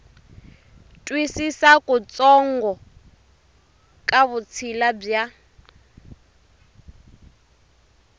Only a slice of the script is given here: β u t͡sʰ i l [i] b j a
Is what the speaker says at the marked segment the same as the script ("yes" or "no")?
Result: no